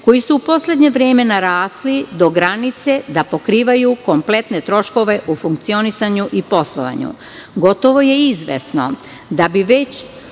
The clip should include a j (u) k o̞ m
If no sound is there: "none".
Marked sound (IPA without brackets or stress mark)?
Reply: u